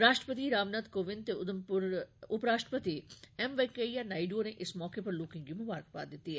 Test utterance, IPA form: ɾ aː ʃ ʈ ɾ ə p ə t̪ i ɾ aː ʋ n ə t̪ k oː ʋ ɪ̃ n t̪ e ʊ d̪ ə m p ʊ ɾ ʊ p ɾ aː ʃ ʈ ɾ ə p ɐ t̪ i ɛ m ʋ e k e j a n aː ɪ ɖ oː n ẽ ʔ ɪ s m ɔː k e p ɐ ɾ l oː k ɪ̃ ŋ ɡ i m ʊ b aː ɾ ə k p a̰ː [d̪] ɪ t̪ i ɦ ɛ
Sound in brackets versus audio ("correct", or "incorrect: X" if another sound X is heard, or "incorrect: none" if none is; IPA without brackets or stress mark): correct